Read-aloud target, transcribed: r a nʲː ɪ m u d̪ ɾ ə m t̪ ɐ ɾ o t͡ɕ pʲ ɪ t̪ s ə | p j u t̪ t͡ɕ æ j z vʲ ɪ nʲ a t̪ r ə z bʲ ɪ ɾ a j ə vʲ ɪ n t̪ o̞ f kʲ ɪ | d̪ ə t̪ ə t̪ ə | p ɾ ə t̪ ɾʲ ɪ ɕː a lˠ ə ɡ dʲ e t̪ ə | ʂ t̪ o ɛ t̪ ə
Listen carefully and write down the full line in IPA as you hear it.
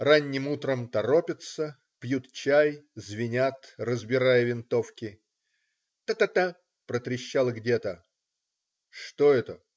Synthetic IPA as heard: r a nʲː ɪ m u t̪ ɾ ə m t̪ ɐ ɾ o pʲ ɪ t̪ s ə | p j u t̪ t͡ɕ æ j z vʲ ɪ nʲ a t̪ r ə z bʲ ɪ ɾ a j ə vʲ ɪ n t̪ o̞ f kʲ ɪ | t̪ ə t̪ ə t̪ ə | p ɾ ə t̪ ɾʲ ɪ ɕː a lˠ ə ɡ dʲ e t̪ ə | ʂ t̪ o ɛ t̪ ə

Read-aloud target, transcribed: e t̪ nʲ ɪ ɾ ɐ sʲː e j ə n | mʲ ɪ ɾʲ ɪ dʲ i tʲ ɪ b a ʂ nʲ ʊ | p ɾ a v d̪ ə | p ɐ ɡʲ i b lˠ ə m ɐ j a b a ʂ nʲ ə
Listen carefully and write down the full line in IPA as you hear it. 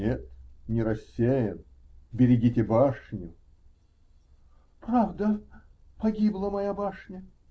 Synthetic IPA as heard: e t̪ nʲ ɪ ɾ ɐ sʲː e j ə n | bʲ ɪ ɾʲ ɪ ɡʲ i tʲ ɪ b a ʂ nʲ ʊ | p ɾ a v d̪ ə | p ɐ ɡʲ i b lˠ ə m ɐ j a b a ʂ nʲ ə

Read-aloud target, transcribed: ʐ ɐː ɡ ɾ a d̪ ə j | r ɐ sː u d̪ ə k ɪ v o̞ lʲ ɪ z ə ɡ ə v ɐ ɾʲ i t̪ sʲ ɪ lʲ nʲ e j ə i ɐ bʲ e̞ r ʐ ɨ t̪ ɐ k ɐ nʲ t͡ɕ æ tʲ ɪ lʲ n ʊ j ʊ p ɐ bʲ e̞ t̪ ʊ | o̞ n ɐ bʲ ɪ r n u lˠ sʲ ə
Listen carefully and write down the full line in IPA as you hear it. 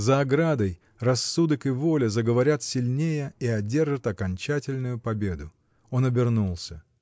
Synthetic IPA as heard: z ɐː ɡ ɾ a d̪ ə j | r ɐ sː u d̪ ə k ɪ v o̞ lʲ ɪ z ə ɡ ə v ɐ ɾʲ a t̪ sʲ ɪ lʲ nʲ e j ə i ɐ dʲ e̞ r ʐ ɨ t̪ ɐ k ɐ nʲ t͡ɕ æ tʲ ɪ lʲ n ʊ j ʊ p ɐ bʲ e̞ d̪ ʊ | o̞ n ɐ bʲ ɪ r n u lˠ sʲ ə

